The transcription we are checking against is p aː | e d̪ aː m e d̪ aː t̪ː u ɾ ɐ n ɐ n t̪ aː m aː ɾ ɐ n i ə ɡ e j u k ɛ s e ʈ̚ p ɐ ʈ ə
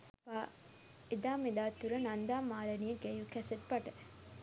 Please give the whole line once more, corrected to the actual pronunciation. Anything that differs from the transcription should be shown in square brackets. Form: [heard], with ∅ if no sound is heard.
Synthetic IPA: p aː | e d̪ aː m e d̪ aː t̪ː u ɾ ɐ n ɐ n [d̪] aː m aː ɾ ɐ n i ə ɡ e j u k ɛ s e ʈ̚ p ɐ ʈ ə